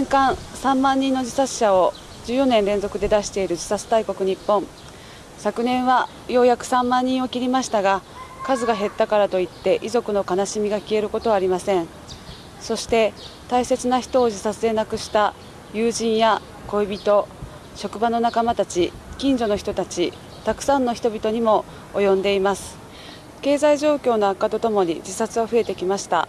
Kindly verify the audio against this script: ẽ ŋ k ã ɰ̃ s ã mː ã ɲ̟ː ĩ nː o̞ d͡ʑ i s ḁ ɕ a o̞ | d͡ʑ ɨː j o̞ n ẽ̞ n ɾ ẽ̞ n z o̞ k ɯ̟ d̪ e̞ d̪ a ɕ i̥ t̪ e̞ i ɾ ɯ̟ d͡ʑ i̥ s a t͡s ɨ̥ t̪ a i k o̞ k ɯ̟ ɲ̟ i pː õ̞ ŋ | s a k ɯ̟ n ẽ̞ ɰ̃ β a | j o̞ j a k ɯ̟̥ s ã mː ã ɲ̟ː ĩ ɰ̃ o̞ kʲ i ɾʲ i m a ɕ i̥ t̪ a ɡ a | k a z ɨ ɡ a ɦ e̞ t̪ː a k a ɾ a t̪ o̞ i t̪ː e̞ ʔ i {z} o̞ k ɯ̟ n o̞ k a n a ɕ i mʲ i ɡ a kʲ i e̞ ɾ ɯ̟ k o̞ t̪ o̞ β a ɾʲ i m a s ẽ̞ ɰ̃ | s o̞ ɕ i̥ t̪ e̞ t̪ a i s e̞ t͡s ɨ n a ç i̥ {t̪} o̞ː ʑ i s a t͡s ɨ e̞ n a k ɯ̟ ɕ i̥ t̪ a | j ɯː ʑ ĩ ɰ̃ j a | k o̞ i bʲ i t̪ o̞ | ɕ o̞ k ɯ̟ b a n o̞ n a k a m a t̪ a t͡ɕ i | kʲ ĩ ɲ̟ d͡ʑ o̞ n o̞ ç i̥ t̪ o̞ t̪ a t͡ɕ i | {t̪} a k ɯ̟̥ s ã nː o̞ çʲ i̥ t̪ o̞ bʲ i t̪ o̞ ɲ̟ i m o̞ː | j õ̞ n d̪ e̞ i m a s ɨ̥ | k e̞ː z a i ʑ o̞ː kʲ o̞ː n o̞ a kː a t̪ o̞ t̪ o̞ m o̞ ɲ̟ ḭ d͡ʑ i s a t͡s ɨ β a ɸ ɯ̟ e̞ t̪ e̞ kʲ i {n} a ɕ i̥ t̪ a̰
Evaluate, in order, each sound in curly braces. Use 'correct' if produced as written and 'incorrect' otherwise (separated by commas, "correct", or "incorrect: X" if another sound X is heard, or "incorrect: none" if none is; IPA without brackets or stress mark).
correct, correct, correct, incorrect: m